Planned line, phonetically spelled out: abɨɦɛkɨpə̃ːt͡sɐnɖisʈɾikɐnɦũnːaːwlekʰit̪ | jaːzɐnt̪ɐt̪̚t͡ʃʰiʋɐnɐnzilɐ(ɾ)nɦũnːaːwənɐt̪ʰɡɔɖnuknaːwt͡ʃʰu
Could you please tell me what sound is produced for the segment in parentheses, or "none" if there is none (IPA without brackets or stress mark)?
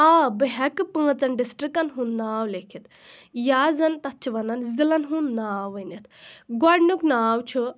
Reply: none